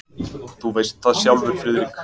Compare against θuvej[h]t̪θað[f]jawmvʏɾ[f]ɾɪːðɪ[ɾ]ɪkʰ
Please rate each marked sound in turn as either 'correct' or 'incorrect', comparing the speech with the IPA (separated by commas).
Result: incorrect, incorrect, correct, correct